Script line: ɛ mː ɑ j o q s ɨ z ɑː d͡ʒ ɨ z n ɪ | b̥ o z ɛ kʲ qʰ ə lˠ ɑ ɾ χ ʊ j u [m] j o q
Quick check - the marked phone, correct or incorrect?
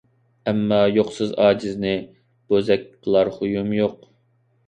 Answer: correct